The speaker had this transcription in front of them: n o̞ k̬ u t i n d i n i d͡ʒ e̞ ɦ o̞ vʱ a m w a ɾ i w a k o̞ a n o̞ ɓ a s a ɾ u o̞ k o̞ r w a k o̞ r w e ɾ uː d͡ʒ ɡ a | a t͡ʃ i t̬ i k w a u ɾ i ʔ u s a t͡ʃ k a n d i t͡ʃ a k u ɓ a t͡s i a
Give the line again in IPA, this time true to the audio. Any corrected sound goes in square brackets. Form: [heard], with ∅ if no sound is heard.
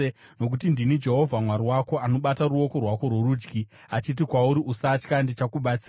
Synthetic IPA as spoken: n o̞ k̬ u t i n d i n i d͡ʒ e̞ ɦ o̞ vʱ a m w a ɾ i w a k o̞ a n o̞ ɓ a [t] a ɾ u o̞ k o̞ r w a k o̞ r w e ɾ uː d͡ʒ ɡ [i] | a t͡ʃ i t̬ i k w a u ɾ i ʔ u s a t͡ʃ k a n d i t͡ʃ a k u ɓ a t͡s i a